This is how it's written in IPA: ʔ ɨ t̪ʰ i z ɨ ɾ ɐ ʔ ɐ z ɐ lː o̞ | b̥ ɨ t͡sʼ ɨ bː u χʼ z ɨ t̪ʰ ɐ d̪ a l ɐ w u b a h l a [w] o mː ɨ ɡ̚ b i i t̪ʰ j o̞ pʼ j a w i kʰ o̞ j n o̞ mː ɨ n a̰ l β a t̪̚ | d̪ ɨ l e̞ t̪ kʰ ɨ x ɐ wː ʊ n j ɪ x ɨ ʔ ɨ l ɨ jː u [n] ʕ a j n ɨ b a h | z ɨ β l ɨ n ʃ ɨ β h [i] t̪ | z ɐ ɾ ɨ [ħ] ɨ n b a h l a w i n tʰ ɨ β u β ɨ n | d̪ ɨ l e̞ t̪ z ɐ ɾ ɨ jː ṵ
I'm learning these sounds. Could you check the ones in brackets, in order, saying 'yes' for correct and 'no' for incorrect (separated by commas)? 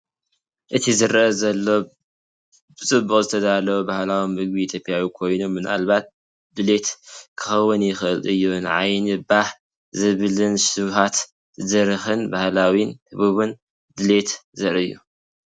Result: yes, yes, no, no